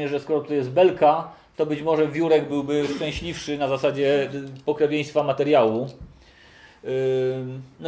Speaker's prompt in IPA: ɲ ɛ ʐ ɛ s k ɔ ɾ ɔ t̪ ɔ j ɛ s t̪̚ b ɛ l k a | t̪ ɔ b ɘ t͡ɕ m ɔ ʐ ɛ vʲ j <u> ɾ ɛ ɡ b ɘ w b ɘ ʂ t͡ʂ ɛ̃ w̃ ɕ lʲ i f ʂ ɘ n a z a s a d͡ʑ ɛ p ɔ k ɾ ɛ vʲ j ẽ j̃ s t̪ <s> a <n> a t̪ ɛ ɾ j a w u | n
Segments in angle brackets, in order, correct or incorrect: correct, incorrect, incorrect

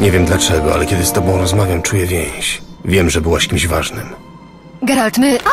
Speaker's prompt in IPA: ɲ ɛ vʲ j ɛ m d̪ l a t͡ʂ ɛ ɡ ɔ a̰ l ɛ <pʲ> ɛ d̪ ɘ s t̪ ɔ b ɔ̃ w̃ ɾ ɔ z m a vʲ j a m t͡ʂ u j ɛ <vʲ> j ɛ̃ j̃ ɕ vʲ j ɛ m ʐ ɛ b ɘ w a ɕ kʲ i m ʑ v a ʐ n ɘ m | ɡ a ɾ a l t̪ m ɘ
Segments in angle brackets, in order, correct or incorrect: incorrect, correct

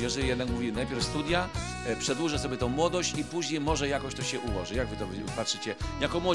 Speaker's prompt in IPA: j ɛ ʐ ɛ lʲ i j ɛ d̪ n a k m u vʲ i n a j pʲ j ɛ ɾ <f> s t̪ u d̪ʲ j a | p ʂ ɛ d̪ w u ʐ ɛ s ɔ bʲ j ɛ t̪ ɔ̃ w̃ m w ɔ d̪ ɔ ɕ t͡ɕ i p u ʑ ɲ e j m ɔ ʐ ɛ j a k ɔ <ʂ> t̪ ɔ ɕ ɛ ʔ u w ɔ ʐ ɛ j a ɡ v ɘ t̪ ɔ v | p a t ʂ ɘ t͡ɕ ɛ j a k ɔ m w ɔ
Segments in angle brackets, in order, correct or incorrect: correct, incorrect

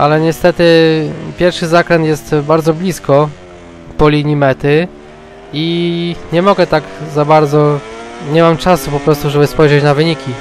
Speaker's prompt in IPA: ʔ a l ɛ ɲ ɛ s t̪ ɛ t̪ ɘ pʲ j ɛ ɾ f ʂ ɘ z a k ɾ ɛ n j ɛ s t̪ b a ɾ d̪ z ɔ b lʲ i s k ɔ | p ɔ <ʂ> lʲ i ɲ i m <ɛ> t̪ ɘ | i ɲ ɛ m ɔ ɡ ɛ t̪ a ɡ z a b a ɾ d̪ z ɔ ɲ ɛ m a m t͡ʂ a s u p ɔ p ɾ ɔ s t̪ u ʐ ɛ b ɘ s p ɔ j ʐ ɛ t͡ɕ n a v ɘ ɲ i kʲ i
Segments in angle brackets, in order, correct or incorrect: incorrect, correct

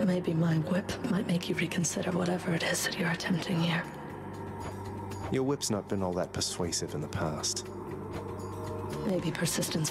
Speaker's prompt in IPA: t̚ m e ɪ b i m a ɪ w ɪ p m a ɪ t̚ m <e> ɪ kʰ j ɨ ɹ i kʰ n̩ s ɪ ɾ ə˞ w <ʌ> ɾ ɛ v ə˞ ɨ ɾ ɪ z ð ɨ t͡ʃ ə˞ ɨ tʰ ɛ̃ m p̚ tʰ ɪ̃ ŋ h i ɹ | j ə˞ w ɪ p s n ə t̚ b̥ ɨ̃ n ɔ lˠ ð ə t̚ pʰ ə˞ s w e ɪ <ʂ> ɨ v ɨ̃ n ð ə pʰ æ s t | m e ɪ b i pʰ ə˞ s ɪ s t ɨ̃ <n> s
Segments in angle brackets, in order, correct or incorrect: correct, correct, incorrect, correct

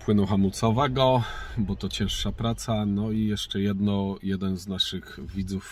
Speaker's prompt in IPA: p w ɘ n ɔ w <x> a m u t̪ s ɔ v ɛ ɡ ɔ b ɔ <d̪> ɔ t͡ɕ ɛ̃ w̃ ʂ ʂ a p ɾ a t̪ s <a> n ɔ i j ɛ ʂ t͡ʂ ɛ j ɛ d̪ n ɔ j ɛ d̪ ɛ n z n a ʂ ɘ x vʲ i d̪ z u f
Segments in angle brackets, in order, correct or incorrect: correct, incorrect, correct

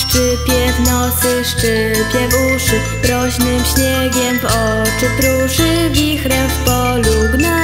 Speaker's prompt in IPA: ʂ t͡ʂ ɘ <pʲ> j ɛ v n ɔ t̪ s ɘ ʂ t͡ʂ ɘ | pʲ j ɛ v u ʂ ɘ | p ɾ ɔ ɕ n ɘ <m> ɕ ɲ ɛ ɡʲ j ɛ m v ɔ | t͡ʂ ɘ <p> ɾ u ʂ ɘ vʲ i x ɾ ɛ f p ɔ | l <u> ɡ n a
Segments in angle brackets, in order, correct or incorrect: correct, correct, correct, correct

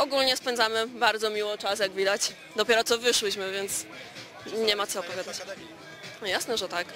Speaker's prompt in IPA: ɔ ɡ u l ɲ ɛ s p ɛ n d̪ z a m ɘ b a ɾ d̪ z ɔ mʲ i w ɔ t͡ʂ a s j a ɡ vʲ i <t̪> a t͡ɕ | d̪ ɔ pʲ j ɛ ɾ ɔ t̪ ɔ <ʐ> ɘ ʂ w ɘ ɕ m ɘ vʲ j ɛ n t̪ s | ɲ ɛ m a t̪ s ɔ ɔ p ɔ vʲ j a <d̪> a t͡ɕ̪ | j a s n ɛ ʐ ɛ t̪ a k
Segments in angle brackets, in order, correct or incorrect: incorrect, incorrect, correct

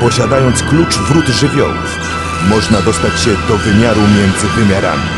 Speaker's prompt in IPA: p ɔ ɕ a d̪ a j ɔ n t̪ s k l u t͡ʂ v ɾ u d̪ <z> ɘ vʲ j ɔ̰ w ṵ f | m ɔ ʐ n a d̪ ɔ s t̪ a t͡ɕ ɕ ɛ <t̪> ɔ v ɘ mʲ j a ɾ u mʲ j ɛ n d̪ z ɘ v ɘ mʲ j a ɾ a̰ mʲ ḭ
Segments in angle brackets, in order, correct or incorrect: incorrect, incorrect

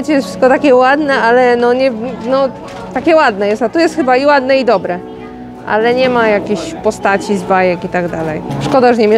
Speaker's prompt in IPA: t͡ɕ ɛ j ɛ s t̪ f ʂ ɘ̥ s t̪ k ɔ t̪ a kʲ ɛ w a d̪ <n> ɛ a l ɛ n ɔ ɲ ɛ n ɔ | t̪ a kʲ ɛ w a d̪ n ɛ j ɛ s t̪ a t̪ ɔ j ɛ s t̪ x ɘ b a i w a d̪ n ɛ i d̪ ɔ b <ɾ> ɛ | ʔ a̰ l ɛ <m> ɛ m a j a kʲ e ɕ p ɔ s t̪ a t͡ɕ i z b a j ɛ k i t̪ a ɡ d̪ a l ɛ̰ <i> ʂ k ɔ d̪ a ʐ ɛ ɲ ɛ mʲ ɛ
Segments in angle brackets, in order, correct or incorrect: correct, correct, incorrect, incorrect

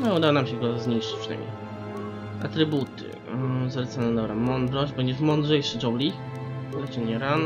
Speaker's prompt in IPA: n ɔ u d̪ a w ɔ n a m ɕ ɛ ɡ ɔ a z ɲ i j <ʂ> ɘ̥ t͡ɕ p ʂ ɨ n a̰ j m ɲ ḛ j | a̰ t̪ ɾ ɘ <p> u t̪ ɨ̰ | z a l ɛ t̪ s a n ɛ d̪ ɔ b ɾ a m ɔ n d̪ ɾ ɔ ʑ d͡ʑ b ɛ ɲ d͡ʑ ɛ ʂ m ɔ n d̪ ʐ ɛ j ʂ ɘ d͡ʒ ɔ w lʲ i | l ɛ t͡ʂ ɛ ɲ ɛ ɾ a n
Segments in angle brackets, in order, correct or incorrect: correct, incorrect

